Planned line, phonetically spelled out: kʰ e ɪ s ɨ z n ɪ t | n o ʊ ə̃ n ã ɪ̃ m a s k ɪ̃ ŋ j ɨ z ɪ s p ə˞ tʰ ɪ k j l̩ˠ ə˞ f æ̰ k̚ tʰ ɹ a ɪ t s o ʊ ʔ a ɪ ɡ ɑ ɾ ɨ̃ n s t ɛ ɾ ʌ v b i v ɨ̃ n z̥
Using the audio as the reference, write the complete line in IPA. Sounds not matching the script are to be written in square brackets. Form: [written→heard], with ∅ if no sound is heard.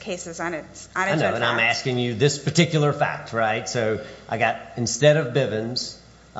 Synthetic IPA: kʰ e ɪ s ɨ z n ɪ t | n o ʊ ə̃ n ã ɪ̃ m [a→æ] s k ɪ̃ ŋ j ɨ [z→ð] ɪ s p ə˞ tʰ ɪ k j l̩ˠ ə˞ f æ̰ k̚ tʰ ɹ a ɪ t s o ʊ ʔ a ɪ ɡ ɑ ɾ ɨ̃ n s t ɛ ɾ ʌ v b [i→ɪ] v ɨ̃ n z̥